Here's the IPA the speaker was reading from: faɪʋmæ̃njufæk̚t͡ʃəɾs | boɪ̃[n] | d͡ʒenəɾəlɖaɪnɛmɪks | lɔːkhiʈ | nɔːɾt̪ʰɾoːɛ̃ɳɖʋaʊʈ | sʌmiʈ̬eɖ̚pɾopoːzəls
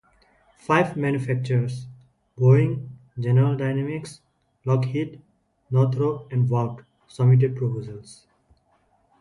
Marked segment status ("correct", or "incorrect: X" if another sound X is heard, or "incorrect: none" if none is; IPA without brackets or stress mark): incorrect: ŋ